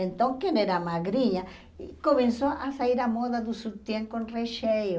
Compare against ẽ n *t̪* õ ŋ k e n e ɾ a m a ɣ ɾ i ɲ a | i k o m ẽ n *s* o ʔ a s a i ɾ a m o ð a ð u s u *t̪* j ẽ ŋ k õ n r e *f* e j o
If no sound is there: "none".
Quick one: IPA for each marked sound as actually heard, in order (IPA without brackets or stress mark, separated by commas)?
t̪, s, t̪, ʃ